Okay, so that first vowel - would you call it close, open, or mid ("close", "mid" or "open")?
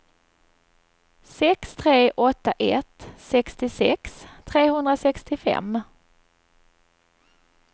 mid